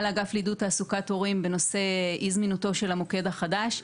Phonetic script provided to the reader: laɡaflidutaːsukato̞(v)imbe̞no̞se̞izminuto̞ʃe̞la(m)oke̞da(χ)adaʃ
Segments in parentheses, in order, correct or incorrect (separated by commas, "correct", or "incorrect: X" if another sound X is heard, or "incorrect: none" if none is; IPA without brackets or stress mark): incorrect: ʁ, correct, correct